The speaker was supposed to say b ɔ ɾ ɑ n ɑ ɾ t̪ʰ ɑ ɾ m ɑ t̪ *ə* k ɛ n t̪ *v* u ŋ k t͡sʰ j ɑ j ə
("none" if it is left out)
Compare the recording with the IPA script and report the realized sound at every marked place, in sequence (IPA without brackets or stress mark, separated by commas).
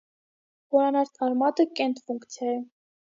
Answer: ə, f